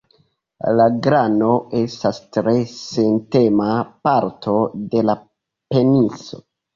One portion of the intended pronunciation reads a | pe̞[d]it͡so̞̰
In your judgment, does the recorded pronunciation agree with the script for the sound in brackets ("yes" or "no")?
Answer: no